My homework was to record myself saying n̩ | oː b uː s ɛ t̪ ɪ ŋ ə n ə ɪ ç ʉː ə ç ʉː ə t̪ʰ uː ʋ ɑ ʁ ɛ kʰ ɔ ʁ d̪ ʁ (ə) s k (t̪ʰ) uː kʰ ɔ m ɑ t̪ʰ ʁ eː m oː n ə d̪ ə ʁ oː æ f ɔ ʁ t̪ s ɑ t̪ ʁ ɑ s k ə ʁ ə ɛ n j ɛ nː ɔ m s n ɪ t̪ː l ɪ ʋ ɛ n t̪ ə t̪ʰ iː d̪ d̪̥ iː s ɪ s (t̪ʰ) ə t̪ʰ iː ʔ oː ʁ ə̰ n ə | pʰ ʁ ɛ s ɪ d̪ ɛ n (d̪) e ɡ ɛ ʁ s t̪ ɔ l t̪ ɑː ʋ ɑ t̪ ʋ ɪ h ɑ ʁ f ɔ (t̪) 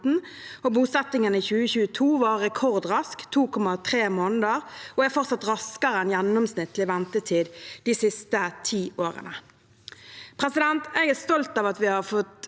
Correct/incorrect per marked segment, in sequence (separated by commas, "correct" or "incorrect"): incorrect, correct, incorrect, incorrect, correct